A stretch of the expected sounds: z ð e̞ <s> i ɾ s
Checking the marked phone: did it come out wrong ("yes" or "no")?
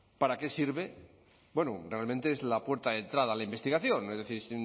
yes